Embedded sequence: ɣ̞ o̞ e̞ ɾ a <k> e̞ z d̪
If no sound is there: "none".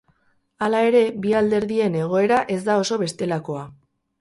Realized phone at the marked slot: ʔ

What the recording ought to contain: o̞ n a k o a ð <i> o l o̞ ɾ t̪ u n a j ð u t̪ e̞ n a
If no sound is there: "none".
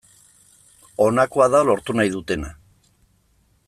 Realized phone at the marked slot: a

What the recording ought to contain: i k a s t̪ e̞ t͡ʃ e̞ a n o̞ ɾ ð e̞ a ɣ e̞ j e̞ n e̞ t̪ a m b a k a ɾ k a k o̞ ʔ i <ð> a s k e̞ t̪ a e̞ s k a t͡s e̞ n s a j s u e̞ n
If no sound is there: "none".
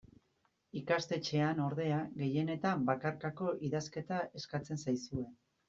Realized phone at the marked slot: ð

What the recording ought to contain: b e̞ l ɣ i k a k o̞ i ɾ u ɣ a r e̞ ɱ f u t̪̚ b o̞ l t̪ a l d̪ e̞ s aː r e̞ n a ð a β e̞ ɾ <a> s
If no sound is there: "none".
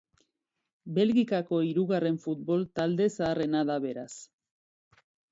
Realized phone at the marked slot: a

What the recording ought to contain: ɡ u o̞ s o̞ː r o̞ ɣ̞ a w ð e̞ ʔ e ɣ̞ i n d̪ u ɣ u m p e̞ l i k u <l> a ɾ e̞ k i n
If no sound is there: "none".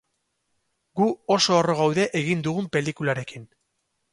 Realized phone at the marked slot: l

